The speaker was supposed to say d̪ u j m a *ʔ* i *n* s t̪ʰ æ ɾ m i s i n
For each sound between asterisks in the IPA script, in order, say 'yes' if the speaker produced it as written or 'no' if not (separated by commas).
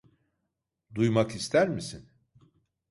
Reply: no, no